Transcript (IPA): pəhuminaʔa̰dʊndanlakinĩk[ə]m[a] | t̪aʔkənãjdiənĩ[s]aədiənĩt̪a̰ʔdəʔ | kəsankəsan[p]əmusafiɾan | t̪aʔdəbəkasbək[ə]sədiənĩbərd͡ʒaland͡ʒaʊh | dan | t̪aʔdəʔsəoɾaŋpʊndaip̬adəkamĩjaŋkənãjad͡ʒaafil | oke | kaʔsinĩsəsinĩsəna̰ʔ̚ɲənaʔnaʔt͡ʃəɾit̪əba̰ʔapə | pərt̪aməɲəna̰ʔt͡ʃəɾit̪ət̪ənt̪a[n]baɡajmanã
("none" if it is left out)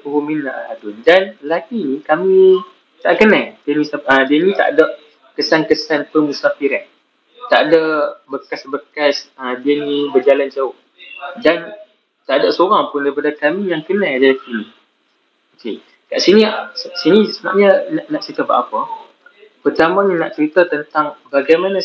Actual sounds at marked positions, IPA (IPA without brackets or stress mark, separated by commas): a, i, s, p, a, ŋ